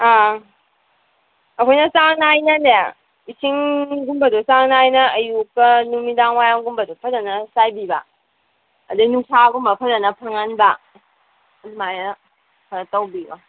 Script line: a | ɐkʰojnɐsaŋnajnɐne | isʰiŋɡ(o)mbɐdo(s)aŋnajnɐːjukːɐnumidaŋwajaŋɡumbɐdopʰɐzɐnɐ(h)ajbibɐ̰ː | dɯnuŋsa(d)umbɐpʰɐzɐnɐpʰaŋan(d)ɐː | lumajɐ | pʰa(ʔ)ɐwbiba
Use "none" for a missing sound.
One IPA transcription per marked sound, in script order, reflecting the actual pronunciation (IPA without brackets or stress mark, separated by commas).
u, s, s, ɡ, b, t